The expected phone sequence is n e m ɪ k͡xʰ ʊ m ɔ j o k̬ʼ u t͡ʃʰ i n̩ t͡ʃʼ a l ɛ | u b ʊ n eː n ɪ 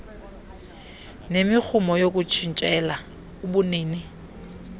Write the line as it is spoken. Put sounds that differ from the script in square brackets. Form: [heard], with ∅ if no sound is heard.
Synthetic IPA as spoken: n e m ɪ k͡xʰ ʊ m ɔ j o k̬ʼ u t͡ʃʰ i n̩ t͡ʃʼ [ɛ] l [a] | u b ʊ n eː n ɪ